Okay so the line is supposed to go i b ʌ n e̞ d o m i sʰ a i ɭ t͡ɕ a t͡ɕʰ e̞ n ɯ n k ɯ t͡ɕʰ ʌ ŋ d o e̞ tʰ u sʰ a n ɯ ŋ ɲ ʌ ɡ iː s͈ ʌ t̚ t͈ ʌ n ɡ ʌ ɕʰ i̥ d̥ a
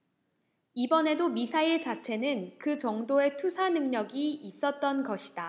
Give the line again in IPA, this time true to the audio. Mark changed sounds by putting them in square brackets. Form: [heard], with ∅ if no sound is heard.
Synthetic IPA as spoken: i b ʌ n e̞ d o m i sʰ a i ɭ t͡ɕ a t͡ɕʰ e̞ n ɯ n k ɯ [t͡ɕ] ʌ ŋ d o e̞ tʰ u sʰ a n ɯ ŋ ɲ ʌ ɡ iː s͈ ʌ t̚ t͈ ʌ n ɡ ʌ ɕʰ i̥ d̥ a